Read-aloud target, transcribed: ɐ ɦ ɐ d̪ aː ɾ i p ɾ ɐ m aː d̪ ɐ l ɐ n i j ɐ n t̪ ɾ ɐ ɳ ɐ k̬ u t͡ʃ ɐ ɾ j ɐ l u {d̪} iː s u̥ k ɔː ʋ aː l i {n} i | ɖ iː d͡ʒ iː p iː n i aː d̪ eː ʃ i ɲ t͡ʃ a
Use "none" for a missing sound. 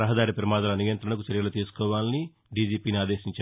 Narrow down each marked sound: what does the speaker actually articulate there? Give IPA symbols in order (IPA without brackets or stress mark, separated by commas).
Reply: t̪, n